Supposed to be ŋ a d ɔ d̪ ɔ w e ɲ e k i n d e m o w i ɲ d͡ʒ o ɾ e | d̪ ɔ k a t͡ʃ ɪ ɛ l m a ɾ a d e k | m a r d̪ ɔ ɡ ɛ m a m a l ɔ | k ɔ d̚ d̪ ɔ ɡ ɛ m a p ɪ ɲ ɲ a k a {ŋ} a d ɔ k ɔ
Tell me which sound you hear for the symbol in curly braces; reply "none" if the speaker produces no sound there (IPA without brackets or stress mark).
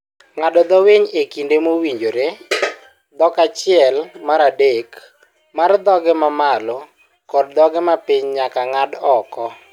ŋ